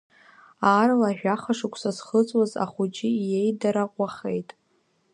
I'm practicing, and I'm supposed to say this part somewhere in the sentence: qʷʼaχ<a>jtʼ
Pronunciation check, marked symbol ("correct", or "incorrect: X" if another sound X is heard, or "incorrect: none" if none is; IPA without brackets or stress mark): incorrect: e